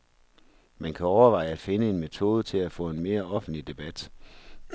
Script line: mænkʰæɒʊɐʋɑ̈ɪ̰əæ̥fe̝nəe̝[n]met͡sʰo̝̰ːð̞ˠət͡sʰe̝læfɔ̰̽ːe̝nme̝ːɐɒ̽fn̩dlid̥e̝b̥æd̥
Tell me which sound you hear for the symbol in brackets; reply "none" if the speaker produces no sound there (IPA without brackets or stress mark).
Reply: n